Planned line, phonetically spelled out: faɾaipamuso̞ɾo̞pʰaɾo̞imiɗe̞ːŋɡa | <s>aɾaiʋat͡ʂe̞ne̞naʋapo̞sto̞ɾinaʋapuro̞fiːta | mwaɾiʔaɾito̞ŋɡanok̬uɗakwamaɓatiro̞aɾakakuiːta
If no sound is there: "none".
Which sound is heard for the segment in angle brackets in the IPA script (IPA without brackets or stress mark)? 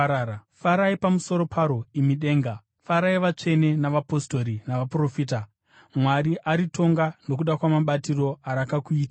f